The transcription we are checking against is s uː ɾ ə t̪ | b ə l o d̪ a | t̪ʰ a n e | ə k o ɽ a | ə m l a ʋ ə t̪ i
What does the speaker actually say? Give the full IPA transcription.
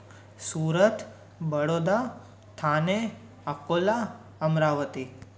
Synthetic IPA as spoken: s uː ɾ ə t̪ | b ə ɽ o d̪ a | t̪ʰ a n e | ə k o l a | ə m ɾ a ʋ ə t̪ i